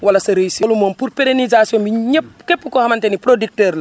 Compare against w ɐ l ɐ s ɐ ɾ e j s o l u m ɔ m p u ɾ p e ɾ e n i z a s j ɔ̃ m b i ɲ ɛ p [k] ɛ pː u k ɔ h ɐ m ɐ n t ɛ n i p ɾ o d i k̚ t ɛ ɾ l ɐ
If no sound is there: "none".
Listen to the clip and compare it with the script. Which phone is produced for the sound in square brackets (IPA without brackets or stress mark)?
k